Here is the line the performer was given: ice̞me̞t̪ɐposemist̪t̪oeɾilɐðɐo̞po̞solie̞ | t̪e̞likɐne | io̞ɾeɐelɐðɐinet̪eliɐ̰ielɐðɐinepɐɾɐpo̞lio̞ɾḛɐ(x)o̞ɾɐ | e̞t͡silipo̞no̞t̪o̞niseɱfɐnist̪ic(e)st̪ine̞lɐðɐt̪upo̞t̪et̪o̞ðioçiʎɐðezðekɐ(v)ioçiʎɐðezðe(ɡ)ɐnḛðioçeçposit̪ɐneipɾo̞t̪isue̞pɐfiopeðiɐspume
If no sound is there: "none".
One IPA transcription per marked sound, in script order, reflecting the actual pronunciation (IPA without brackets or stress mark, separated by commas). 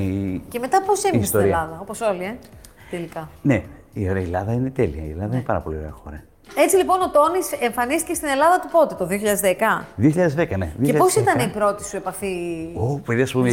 x, e, ð, k